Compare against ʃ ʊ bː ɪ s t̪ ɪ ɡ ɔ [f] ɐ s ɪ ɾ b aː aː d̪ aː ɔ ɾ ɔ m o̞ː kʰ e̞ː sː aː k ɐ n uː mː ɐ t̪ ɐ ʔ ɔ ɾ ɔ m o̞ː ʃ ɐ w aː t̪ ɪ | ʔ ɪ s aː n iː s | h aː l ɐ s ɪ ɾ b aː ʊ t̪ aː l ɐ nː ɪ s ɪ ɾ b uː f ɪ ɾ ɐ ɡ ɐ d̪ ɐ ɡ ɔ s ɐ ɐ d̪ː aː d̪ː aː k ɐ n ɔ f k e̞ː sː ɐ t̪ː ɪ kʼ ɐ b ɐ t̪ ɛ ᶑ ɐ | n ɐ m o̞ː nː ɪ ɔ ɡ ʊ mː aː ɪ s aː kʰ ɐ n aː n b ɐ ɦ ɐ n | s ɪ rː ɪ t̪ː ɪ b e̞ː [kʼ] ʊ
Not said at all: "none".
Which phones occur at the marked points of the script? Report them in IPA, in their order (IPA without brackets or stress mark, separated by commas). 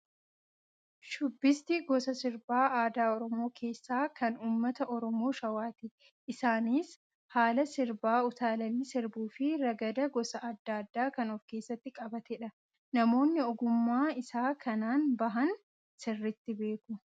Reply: s, k